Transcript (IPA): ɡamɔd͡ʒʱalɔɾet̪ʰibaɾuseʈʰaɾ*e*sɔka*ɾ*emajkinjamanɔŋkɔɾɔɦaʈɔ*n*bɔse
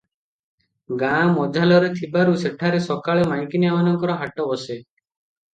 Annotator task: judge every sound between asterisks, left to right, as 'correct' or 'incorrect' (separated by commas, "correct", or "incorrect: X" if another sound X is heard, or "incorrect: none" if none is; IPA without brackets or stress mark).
correct, incorrect: ɭ, incorrect: none